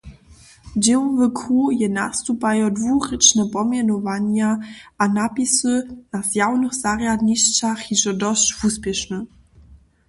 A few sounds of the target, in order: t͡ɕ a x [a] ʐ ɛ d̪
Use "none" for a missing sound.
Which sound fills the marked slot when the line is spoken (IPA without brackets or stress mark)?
i